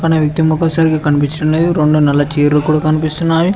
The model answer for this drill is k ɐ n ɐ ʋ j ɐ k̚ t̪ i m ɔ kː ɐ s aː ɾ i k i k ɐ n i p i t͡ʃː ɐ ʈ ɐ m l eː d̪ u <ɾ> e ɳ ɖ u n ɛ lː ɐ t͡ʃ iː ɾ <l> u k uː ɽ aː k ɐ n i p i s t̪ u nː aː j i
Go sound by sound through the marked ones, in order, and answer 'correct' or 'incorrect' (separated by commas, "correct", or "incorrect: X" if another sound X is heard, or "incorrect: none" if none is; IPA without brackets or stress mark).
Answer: correct, correct